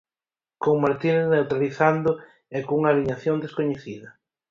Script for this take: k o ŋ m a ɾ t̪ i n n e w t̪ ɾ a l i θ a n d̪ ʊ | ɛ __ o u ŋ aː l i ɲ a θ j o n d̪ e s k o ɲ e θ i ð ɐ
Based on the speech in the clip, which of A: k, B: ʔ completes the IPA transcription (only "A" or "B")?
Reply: A